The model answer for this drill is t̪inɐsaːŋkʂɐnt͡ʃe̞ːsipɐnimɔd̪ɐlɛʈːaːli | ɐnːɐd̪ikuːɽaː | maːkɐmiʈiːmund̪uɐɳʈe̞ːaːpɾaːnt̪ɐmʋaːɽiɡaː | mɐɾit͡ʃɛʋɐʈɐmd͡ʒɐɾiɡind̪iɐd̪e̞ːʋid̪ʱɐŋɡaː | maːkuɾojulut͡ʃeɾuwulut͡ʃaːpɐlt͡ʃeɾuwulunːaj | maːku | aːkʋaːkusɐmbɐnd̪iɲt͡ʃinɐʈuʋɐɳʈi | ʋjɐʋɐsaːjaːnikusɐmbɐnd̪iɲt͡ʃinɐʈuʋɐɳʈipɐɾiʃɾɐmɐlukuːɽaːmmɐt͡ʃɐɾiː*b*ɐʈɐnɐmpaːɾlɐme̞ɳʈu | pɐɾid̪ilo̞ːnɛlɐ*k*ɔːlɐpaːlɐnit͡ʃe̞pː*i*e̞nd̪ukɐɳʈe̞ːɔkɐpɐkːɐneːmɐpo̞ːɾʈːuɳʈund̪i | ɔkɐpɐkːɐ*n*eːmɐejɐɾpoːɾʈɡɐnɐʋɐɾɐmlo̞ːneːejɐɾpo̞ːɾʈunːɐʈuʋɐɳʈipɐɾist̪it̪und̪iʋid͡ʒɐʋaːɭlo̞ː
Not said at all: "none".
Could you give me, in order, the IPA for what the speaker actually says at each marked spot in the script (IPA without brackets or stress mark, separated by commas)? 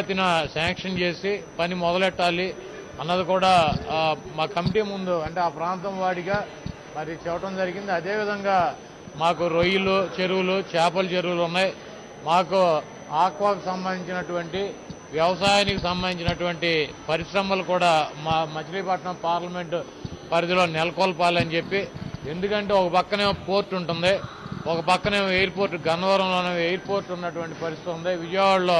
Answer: p, k, i, n